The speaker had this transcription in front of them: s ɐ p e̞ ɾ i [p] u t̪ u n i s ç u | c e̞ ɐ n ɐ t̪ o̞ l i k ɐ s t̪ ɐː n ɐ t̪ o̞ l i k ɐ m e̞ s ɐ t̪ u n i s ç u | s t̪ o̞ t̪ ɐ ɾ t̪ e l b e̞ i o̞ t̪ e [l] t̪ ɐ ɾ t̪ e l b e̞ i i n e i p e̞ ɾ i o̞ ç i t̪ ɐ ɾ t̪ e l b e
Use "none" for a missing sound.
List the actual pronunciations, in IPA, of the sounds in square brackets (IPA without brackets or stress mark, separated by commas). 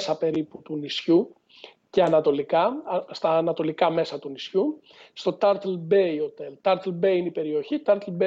p, l